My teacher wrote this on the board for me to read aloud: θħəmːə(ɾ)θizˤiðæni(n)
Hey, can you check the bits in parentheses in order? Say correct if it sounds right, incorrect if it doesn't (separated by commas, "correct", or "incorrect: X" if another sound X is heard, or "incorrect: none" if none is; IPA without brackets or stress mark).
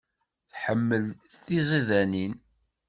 incorrect: l, correct